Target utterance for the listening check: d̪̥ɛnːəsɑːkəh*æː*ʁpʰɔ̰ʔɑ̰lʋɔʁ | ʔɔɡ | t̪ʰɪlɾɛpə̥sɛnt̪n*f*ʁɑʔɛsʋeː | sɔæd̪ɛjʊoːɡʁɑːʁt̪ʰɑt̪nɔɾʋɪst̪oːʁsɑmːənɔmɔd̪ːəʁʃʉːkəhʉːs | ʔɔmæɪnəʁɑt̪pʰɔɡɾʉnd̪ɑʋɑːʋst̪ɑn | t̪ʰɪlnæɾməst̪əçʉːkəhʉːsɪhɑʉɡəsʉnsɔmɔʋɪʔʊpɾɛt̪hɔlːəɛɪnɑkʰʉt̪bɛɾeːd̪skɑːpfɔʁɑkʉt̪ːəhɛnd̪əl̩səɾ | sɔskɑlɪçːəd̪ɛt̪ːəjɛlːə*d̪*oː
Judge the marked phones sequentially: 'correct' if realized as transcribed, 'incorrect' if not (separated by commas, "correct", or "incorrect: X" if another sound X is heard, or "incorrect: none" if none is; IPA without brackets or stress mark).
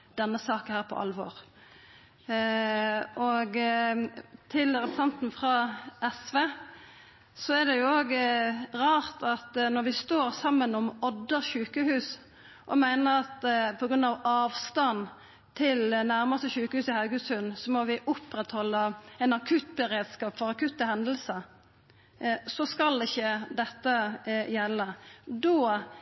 correct, correct, correct